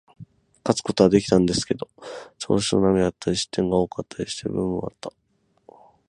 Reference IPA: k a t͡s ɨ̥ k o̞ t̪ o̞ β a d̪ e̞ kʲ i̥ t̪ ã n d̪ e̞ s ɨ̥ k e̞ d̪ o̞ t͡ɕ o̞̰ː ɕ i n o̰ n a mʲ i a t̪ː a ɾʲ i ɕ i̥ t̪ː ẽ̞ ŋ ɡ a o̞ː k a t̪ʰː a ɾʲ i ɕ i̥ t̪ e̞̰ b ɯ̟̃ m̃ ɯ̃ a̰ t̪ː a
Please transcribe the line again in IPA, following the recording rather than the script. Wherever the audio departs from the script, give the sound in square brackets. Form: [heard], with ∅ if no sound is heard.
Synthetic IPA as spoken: k a t͡s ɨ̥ k o̞ t̪ o̞ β a d̪ e̞ kʲ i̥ t̪ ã n d̪ e̞ s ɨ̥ k e̞ d̪ o̞ t͡ɕ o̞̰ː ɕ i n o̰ n a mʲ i a t̪ː a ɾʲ i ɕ i̥ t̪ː ẽ̞ ŋ ɡ a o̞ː k a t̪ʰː a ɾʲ i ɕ i̥ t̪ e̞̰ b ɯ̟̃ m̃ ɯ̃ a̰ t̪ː a